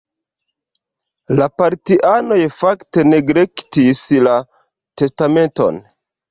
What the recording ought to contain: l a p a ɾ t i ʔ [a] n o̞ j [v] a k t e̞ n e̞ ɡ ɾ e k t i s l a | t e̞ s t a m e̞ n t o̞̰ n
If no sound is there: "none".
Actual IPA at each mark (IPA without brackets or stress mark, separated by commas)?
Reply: a, f